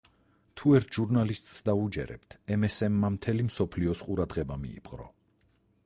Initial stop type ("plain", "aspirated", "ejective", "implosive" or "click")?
aspirated